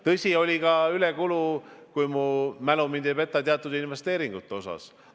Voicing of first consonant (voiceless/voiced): voiceless